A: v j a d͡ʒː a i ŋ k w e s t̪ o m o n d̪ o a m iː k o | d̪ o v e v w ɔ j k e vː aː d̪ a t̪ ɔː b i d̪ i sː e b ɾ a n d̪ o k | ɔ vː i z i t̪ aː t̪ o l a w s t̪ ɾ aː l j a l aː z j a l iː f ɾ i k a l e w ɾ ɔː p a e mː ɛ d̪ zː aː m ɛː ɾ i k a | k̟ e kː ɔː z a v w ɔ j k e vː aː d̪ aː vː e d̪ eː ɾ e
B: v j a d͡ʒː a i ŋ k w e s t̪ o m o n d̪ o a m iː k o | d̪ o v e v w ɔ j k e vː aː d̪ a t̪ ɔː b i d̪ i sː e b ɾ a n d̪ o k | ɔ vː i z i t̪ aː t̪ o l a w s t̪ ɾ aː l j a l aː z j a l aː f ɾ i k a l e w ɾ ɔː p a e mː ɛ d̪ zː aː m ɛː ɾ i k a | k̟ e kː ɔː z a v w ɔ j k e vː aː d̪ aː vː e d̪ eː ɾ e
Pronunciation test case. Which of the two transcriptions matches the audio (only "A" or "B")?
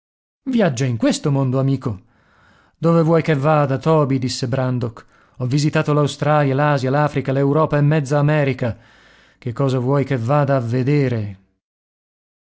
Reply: B